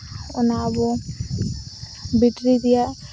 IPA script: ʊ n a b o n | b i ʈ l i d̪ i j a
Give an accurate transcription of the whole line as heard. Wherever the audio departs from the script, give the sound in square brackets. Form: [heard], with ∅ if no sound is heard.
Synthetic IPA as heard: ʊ n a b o [∅] | b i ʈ [ɾ] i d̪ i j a